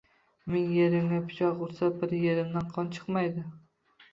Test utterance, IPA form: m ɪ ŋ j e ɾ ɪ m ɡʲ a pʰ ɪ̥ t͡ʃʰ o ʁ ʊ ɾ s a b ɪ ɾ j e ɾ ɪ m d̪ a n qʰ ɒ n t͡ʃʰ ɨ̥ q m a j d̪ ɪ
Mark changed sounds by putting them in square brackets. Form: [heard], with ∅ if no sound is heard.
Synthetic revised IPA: m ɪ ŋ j e ɾ ɪ m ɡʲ a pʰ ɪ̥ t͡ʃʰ [ɒ] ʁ ʊ ɾ s a b ɪ ɾ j e ɾ ɪ m d̪ a n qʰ ɒ n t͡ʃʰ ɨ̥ q m a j d̪ ɪ

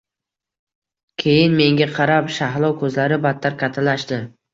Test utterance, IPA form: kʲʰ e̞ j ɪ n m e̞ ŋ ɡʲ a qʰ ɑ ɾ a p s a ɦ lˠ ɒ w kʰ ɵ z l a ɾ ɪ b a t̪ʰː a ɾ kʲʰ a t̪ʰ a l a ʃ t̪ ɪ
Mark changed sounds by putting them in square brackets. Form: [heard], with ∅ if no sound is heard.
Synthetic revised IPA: kʲʰ e̞ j ɪ n m e̞ ŋ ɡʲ a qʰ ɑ ɾ a p [ʃ] a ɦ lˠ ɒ w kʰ ɵ z l a ɾ ɪ b a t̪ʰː a ɾ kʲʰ a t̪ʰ a l a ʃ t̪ ɪ

